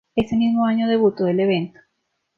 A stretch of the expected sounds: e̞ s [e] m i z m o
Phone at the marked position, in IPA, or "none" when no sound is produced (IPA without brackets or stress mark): e